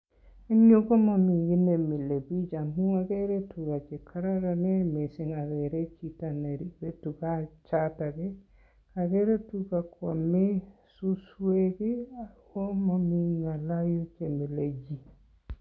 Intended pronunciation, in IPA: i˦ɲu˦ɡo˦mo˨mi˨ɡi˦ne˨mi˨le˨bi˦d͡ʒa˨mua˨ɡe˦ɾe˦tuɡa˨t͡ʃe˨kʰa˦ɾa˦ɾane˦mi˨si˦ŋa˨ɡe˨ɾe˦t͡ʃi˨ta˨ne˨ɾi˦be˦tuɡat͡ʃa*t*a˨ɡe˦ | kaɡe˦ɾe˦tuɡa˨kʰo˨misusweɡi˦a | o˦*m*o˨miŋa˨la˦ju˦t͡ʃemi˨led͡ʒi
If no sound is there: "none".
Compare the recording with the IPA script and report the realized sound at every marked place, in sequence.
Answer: t, m

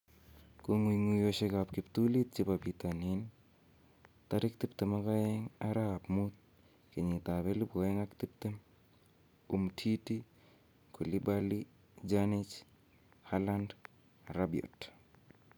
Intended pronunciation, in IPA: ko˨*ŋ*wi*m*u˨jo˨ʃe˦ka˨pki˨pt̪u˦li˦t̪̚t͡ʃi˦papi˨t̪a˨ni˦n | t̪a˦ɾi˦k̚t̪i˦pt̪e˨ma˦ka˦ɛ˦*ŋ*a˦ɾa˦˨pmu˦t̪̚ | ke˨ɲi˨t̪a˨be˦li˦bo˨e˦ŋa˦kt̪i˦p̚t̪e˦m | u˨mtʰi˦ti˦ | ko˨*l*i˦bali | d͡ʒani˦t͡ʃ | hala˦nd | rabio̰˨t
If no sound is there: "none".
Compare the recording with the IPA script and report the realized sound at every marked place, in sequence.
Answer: ŋ, ŋ, ŋ, l

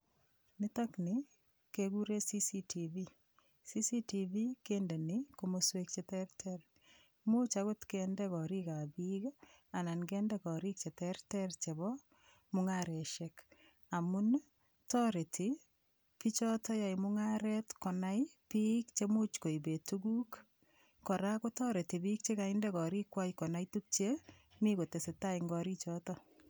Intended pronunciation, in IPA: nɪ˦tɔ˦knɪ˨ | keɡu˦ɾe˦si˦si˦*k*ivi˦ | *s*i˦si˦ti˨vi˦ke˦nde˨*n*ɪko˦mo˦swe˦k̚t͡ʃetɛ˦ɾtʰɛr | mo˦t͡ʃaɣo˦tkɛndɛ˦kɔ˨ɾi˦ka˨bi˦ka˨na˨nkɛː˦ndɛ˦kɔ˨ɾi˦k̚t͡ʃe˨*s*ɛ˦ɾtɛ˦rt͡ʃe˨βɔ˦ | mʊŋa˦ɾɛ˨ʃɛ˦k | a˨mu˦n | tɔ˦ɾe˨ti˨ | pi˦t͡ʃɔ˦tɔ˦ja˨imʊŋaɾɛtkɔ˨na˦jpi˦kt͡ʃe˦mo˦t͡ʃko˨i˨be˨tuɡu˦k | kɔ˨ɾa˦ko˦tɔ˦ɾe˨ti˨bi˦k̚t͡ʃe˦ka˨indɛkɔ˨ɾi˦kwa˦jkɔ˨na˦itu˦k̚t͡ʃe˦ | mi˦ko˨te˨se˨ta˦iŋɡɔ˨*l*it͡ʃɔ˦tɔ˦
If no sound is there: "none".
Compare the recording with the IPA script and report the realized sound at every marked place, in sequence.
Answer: t, s, n, t, ɾ

